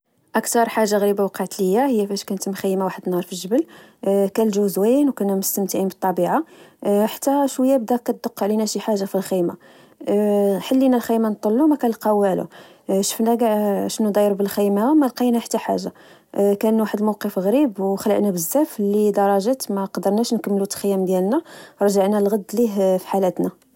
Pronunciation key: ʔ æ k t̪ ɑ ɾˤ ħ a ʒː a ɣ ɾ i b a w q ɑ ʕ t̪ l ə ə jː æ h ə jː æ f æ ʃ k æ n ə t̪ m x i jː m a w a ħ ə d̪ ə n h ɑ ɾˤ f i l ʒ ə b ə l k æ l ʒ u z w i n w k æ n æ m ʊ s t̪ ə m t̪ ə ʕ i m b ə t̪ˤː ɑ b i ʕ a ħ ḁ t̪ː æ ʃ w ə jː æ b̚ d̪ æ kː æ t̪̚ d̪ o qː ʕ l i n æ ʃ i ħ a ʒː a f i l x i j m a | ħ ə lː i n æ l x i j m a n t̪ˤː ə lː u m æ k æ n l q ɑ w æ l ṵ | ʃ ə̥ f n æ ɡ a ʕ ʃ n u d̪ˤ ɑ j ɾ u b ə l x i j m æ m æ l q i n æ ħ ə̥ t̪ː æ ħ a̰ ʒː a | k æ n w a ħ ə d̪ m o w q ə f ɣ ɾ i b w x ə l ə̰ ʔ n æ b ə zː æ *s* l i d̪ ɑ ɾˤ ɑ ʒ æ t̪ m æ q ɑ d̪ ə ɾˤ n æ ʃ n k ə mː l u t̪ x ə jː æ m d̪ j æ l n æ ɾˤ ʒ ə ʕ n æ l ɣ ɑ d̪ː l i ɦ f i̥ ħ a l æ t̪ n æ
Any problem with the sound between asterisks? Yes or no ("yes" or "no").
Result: yes